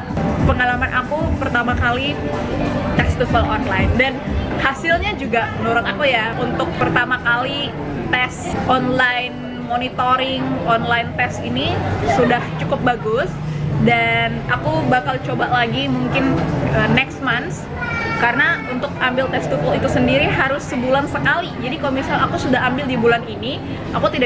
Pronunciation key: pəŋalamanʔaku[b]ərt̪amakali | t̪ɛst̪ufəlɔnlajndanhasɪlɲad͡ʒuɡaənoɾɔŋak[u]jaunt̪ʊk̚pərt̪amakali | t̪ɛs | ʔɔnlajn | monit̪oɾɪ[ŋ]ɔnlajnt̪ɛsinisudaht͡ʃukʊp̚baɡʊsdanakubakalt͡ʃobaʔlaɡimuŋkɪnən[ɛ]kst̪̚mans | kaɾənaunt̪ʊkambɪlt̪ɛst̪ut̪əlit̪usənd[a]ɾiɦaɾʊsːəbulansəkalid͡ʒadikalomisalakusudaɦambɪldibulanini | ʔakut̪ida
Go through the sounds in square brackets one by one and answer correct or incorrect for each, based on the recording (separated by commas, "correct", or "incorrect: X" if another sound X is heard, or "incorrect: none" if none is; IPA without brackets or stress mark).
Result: incorrect: p, correct, correct, correct, incorrect: i